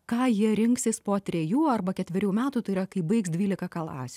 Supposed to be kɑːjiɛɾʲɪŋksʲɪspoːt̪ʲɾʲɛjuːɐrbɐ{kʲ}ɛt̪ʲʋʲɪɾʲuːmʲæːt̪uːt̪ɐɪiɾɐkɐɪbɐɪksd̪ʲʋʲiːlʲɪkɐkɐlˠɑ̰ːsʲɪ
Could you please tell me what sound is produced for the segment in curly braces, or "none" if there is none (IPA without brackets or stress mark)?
kʲ